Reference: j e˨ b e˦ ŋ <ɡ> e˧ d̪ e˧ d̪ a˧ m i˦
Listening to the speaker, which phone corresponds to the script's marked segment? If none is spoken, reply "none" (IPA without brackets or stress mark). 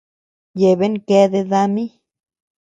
k